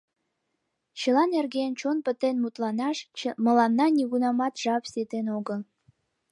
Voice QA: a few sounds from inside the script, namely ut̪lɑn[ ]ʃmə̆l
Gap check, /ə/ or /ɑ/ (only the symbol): ɑ